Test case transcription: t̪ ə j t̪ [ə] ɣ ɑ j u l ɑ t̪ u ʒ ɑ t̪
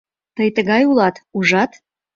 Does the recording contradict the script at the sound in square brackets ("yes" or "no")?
no